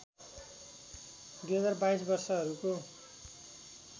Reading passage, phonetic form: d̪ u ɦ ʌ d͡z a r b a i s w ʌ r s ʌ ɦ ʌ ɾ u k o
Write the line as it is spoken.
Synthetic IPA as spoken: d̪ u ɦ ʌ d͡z a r b a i s b ʌ r s ʌ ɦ ʌ ɾ u k o